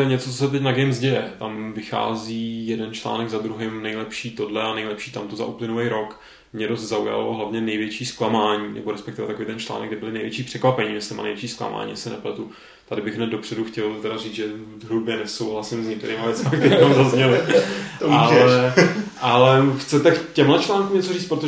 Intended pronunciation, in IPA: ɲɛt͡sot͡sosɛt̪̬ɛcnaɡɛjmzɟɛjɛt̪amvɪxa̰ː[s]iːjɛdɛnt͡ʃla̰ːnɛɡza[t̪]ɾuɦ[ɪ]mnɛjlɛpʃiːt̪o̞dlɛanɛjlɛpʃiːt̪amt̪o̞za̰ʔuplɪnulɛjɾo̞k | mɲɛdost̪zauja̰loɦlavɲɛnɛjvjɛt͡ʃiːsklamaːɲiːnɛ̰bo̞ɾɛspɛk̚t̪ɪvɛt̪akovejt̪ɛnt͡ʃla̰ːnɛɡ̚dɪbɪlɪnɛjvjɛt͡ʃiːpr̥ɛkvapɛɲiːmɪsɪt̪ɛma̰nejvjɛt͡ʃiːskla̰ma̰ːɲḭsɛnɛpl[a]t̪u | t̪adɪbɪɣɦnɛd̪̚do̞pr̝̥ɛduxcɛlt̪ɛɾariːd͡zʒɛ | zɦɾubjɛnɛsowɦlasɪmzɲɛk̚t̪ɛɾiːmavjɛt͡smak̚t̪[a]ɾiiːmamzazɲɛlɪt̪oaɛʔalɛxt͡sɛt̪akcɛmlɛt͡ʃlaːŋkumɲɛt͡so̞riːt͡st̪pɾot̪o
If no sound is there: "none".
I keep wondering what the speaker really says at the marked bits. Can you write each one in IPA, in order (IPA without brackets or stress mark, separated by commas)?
z, d̪, ɪ, ɛ, ɛ